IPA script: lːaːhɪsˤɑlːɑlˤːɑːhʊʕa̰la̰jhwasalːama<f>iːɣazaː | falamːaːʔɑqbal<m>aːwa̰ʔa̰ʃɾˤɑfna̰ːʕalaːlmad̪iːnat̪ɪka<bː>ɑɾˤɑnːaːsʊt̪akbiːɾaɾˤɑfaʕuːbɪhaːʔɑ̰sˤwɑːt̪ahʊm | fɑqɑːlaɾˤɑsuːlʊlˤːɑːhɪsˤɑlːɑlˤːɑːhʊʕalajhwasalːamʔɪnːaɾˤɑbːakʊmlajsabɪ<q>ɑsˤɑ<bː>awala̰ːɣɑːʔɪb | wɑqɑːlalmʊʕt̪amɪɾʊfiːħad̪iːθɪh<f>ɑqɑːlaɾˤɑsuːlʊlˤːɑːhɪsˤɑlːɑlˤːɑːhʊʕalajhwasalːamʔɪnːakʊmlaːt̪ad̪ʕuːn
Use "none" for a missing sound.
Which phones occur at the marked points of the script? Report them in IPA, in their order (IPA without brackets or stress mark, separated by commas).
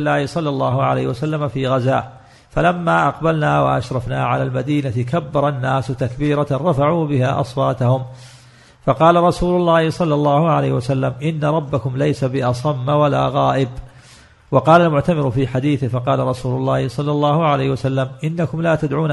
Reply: f, n, bː, ʔ, mː, f